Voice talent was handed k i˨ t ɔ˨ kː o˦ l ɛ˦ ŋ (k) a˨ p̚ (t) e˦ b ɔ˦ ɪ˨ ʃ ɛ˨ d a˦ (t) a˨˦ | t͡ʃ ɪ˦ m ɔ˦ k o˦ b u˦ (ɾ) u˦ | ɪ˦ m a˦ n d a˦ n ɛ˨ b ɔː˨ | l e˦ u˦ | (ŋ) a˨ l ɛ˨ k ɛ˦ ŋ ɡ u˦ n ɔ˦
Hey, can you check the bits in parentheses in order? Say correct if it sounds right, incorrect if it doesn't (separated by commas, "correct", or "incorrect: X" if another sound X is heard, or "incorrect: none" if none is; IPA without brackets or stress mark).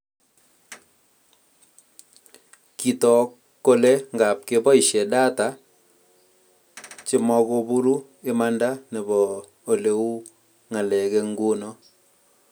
incorrect: ɡ, incorrect: k, correct, correct, correct